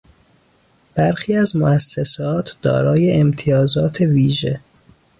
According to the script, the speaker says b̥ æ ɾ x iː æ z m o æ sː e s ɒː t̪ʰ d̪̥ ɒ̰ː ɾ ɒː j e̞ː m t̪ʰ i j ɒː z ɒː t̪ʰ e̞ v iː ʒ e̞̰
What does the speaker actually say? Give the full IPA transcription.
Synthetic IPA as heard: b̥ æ ɾ x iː æ z m o æ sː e s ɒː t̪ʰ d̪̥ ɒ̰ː ɾ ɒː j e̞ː m t̪ʰ i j ɒː z ɒː t̪ʰ e̞ v iː ʒ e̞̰